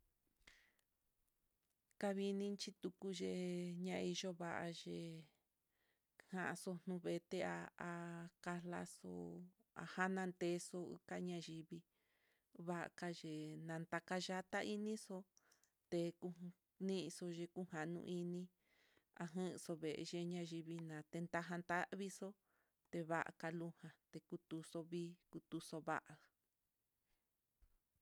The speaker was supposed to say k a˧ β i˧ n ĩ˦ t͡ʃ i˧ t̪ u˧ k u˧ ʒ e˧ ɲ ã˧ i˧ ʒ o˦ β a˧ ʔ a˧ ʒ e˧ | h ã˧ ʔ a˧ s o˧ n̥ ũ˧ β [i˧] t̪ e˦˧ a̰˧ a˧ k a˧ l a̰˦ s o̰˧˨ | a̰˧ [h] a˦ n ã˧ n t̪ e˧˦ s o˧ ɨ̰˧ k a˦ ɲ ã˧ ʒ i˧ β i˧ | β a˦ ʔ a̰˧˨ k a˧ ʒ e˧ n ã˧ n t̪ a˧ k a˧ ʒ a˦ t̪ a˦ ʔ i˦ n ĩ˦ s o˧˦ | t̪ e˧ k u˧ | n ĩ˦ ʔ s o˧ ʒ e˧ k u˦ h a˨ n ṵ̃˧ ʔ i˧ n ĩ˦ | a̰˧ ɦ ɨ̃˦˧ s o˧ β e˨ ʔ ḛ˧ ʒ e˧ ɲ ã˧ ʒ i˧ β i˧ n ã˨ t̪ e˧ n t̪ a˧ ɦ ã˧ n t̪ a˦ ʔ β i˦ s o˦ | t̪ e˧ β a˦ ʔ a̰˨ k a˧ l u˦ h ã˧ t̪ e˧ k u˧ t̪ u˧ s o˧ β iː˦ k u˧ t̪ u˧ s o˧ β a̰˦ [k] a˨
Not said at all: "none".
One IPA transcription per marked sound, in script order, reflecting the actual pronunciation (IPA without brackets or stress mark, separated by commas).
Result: e˧, h, ʔ